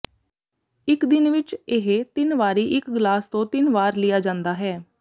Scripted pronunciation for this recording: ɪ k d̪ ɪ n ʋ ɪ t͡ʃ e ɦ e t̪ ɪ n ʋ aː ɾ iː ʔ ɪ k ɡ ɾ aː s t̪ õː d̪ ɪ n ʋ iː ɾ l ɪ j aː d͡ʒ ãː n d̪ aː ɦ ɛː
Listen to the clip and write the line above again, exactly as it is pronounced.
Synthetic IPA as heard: ɪ k d̪ ɪ n ʋ ɪ t͡ʃ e ɦ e t̪ ɪ n ʋ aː ɾ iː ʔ ɪ k ɡ l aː s t̪ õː t̪ ɪ n ʋ aː ɾ l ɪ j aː d͡ʒ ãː n d̪ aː ɦ ɛː